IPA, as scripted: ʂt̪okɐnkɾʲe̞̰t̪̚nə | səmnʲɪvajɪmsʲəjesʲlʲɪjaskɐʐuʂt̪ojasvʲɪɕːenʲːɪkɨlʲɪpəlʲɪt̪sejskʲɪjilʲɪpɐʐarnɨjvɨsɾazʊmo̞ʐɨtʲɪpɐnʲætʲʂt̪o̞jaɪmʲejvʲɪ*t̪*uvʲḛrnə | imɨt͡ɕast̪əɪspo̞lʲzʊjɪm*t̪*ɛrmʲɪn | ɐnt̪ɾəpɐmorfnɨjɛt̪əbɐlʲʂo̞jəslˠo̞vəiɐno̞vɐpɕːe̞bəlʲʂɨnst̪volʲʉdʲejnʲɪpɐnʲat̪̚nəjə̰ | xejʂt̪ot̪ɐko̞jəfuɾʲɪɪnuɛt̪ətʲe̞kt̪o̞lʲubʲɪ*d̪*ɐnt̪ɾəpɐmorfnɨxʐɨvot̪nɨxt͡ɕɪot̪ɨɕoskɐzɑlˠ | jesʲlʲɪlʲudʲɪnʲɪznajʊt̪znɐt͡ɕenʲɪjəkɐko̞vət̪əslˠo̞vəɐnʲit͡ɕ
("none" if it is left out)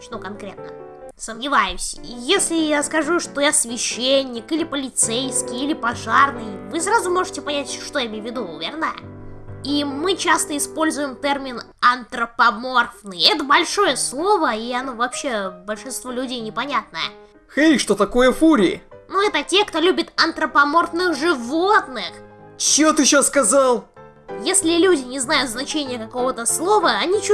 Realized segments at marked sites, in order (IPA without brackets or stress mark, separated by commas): d̪, t̪, t̪